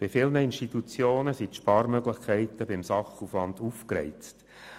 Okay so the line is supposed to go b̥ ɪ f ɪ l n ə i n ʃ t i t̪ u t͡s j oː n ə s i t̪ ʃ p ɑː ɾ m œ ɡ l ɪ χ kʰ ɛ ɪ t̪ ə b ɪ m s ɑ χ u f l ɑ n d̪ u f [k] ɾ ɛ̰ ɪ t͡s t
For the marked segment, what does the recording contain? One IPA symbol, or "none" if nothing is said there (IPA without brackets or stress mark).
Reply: k